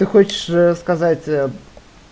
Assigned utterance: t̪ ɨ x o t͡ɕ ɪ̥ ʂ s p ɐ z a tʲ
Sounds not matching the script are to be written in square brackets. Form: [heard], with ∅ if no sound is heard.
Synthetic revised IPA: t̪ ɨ x o t͡ɕ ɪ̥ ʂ s [k] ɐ z a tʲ